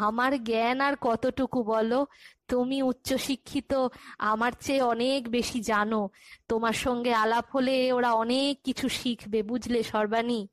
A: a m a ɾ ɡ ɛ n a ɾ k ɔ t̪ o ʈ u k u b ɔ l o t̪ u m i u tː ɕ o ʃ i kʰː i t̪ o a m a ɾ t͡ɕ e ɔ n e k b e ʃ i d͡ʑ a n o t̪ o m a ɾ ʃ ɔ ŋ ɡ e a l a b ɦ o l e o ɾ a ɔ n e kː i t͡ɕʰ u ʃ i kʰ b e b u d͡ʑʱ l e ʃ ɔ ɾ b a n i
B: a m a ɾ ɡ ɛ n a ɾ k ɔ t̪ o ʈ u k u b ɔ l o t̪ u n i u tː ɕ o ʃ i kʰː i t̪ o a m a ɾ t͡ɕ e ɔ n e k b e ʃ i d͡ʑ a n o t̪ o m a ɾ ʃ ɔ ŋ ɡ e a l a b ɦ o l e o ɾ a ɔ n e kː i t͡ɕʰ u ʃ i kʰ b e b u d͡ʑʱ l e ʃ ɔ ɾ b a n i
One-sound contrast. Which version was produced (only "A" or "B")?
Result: A